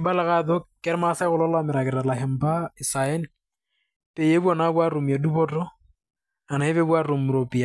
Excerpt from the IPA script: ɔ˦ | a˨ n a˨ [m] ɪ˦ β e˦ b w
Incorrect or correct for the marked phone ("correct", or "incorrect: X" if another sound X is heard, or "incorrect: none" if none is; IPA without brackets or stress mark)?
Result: incorrect: none